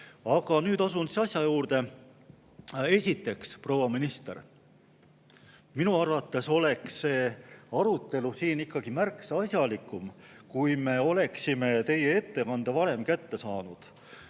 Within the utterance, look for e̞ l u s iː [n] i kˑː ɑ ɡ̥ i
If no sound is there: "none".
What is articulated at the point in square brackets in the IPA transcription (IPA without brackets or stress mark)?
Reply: n